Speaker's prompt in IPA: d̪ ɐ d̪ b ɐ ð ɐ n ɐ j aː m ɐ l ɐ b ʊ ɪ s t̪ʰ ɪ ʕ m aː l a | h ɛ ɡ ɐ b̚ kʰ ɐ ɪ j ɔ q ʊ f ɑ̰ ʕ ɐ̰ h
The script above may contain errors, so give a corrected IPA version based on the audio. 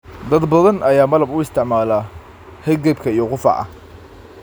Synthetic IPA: d̪ ɐ d̪ b ɐ ð ɐ n ɐ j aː m ɐ l ɐ b ʊ ɪ s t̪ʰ ɪ ʕ m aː l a | h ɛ ɡ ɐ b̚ kʰ ɐ i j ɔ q ʊ f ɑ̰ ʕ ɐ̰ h